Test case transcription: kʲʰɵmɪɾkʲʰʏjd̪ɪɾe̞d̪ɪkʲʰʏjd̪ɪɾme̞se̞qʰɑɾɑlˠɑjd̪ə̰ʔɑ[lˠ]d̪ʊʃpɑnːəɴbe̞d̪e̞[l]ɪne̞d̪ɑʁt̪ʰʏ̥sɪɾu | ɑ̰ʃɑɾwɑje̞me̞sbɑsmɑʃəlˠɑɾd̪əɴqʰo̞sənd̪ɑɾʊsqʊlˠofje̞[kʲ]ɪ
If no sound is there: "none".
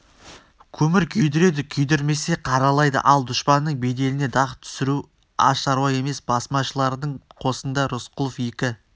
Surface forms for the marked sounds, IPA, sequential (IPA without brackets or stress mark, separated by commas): lˠ, l, kʲ